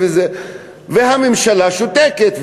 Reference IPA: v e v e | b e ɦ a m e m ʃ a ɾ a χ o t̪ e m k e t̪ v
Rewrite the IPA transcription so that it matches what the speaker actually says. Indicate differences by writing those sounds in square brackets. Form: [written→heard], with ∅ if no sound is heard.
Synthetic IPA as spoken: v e [v→z] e | [b→v] e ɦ a m e m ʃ a [ɾ→l] a [χ→ʃ] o t̪ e [m→∅] k e t̪ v

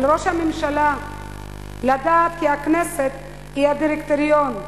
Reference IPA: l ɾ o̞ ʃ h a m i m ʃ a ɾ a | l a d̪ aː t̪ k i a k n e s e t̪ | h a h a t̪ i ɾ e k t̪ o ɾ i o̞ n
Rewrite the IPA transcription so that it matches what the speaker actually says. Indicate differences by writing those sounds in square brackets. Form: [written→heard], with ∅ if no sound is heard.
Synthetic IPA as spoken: l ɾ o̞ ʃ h a m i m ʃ a [ɾ→l] a | l a d̪ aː t̪ k i a k n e s e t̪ | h [a→i] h a [t̪→d̪] i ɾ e k t̪ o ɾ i o̞ n

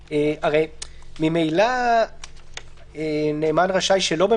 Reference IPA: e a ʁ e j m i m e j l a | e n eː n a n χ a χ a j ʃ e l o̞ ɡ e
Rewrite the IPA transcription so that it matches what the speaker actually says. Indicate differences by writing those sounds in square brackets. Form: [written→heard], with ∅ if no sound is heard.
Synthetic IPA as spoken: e a ʁ e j m i m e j l a | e n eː [n→m] a n [χ→ʁ] a [χ→ʃ] a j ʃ e l o̞ [ɡ→b] e

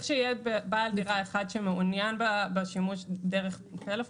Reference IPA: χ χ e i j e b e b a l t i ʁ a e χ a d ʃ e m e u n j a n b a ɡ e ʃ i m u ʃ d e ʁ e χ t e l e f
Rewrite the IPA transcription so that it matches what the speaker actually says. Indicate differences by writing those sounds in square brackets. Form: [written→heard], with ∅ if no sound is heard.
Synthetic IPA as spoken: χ [χ→ʃ] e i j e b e b a l [t→d] i ʁ a e χ a d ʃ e m e u n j a n b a [ɡ→b] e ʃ i m u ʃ d e ʁ e χ t e l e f

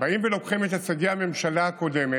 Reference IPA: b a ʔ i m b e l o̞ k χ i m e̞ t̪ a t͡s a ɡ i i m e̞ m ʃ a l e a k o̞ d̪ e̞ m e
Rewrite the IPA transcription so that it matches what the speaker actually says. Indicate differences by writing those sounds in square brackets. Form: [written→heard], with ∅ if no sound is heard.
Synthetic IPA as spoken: b a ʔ i m [b→v] e l o̞ k χ i m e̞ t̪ a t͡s a ɡ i [i→a] m e̞ m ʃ a l [e→a] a k o̞ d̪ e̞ m e

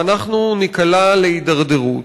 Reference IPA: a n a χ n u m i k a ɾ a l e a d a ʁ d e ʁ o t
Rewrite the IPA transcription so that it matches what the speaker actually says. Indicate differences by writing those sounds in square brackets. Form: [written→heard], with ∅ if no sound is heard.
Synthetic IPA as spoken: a n a χ n u [m→n] i k a [ɾ→l] a l e [a→i] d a ʁ d e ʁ [o→u] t

